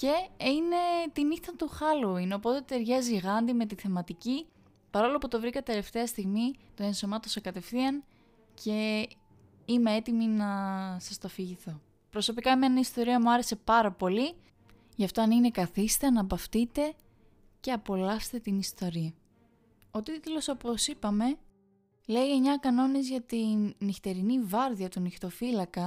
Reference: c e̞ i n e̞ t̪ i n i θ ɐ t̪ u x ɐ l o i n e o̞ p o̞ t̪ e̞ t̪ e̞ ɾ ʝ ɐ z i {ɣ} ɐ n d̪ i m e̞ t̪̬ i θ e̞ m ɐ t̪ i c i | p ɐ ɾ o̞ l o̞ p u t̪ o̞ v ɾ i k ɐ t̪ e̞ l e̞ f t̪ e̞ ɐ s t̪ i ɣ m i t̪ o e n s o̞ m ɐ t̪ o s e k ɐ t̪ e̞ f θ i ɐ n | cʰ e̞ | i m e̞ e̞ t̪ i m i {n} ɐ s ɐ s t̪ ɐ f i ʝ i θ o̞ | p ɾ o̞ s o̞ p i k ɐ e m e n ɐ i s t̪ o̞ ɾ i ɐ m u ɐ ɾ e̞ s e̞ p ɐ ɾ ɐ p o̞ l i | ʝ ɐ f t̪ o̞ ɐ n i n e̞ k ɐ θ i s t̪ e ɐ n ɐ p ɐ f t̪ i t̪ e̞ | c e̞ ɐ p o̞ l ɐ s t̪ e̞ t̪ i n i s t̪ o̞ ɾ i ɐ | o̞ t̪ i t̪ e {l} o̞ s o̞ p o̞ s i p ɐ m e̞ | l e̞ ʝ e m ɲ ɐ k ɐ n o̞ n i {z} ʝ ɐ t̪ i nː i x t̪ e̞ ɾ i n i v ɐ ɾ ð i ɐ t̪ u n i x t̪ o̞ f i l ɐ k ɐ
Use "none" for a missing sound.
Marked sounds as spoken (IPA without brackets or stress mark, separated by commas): ɣ, n, l, z